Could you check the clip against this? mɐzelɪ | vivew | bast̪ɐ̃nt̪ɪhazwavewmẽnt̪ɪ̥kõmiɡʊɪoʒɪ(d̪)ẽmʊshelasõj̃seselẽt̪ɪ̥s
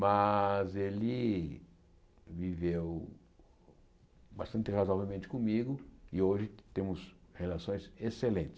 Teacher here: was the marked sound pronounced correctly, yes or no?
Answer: no